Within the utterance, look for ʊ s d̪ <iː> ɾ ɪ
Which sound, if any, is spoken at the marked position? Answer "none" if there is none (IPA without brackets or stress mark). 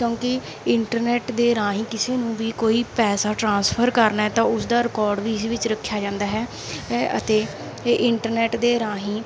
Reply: aː